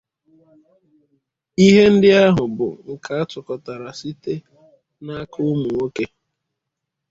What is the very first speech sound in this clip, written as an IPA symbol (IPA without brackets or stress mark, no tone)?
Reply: i